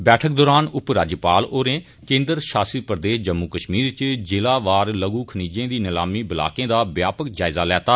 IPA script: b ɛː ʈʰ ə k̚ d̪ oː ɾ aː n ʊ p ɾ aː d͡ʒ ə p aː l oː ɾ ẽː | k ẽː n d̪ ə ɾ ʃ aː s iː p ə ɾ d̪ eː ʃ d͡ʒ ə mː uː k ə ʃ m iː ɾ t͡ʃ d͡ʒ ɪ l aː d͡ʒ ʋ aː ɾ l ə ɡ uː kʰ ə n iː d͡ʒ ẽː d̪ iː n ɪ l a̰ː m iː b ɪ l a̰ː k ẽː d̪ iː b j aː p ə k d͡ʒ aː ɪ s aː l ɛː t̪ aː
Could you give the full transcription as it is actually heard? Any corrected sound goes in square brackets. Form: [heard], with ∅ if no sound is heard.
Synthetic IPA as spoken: b ɛː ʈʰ ə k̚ d̪ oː ɾ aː n ʊ p ɾ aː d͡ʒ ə p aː l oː ɾ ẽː | k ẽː n d̪ ə ɾ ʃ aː s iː p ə ɾ d̪ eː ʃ d͡ʒ ə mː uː k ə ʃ m iː ɾ t͡ʃ d͡ʒ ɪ l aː [∅] ʋ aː ɾ l ə ɡ uː kʰ ə n iː d͡ʒ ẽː d̪ iː n ɪ l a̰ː m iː b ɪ l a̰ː k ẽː d̪ [aː] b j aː p ə k d͡ʒ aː ɪ [z] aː l ɛː t̪ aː